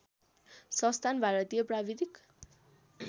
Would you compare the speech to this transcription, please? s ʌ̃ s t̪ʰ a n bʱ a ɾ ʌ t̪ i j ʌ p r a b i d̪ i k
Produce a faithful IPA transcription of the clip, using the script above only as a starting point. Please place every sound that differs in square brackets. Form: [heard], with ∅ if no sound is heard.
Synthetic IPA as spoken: s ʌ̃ s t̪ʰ a n bʱ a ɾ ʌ t̪ i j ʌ p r a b i d̪ i k